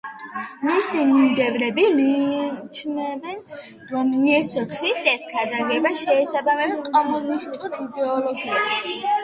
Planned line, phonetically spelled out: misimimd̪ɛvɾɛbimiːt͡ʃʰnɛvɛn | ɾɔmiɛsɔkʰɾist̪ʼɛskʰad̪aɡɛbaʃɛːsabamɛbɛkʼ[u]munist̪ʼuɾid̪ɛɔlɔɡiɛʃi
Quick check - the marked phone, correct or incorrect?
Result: incorrect